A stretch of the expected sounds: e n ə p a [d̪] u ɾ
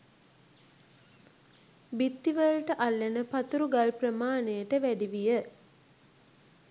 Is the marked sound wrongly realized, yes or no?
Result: yes